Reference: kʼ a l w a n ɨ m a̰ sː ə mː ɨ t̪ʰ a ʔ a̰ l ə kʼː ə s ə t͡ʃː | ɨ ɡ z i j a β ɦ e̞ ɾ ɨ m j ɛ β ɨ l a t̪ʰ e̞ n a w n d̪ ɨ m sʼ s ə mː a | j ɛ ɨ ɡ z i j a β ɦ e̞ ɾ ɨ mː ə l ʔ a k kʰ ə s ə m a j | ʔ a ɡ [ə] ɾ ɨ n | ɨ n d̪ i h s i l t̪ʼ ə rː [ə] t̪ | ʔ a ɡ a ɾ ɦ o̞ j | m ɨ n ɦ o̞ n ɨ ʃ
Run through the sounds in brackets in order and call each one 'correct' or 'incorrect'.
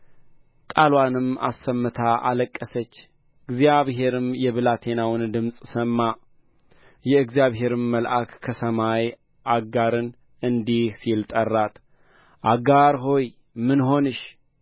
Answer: incorrect: a, incorrect: a

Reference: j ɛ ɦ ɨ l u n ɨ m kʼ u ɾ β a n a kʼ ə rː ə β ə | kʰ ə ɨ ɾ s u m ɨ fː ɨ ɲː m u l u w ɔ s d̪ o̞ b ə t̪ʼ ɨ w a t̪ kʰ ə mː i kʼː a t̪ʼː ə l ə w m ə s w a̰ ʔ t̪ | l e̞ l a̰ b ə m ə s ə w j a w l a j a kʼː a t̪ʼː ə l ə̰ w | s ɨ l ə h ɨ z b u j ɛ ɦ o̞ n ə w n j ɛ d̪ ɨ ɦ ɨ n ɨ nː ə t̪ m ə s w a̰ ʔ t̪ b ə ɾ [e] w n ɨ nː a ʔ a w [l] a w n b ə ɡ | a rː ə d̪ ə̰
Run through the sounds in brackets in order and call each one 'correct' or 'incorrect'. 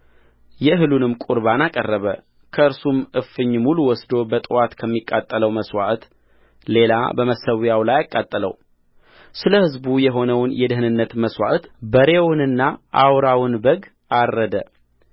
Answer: correct, incorrect: ɾ

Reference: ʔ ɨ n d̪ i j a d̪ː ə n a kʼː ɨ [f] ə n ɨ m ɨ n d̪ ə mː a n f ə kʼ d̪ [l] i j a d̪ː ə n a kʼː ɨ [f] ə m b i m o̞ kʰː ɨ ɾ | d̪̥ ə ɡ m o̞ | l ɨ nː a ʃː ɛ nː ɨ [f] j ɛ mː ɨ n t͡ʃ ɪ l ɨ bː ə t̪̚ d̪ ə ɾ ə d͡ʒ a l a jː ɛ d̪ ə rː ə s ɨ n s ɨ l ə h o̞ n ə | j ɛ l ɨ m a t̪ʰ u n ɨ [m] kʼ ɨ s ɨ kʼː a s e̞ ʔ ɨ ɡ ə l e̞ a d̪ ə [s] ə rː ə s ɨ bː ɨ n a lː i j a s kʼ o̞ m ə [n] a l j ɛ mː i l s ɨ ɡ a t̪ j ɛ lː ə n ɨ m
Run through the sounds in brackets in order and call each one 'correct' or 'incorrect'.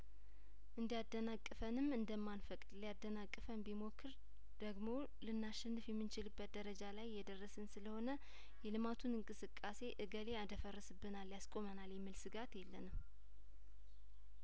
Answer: correct, correct, correct, correct, incorrect: ŋ, incorrect: f, correct

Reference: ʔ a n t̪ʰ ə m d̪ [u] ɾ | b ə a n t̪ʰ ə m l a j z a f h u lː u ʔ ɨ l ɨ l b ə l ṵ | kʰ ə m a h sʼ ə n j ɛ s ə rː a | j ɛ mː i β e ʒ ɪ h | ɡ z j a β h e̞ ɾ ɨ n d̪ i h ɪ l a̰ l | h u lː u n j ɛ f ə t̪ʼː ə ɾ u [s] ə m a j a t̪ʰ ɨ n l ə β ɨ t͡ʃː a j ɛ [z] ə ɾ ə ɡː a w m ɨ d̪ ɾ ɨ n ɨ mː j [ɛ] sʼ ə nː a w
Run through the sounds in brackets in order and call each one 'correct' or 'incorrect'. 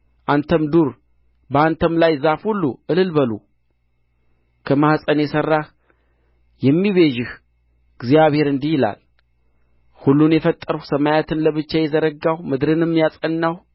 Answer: correct, correct, correct, incorrect: a

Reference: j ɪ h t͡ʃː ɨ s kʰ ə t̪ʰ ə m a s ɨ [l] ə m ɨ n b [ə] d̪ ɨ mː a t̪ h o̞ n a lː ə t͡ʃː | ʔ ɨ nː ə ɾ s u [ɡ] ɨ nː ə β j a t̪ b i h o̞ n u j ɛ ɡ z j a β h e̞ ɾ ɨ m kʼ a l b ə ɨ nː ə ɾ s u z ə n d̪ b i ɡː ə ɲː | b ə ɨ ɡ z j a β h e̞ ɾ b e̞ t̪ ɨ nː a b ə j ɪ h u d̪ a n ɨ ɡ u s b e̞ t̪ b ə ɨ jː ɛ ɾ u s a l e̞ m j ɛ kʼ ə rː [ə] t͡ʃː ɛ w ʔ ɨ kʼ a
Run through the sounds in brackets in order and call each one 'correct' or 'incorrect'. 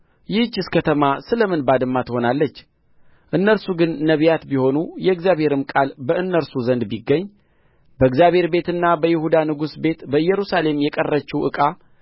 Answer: correct, incorrect: a, correct, correct

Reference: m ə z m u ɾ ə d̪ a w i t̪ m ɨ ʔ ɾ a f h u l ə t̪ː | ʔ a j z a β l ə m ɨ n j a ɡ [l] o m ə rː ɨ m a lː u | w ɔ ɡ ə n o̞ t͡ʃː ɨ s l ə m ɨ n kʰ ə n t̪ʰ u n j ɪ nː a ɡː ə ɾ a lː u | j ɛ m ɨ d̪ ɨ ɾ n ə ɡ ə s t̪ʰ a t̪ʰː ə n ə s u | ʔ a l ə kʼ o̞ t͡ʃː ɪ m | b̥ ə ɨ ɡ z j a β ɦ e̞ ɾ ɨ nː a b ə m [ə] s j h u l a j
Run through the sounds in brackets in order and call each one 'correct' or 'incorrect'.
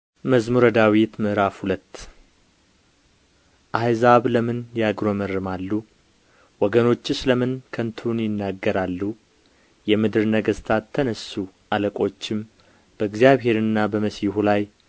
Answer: incorrect: ɾ, correct

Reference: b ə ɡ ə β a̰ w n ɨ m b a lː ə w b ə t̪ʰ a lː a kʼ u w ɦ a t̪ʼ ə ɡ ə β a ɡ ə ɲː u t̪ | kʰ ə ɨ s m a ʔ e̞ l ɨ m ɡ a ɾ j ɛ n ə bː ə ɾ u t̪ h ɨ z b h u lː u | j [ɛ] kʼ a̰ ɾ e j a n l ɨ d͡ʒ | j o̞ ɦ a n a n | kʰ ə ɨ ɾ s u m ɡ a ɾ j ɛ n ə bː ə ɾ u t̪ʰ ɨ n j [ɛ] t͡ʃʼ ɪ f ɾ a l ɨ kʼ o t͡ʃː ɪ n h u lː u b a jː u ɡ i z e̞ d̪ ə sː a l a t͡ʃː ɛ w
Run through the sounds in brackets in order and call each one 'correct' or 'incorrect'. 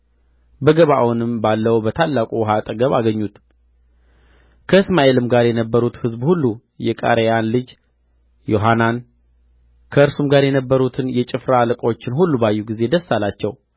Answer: correct, correct

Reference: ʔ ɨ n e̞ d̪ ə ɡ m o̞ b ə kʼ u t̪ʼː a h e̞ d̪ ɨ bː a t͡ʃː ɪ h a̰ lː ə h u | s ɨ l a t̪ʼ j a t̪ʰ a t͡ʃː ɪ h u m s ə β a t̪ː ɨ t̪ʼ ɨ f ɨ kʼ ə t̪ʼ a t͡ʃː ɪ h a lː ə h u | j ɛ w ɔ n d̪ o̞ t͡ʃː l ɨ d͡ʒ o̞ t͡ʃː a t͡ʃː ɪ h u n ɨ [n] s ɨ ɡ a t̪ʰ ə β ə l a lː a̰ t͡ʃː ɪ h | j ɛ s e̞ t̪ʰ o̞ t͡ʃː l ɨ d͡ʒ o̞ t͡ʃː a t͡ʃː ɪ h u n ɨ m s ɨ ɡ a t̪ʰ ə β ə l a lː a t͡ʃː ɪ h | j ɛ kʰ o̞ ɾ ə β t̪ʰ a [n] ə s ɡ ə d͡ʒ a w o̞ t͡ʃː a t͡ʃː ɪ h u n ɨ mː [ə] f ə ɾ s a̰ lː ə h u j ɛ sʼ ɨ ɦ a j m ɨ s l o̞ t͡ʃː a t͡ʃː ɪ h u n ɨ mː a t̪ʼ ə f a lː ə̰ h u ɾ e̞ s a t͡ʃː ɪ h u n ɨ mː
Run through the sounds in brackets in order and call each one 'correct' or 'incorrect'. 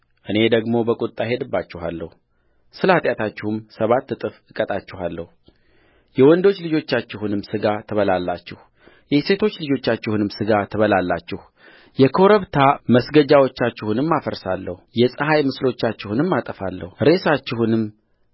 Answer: incorrect: m, incorrect: m, incorrect: a

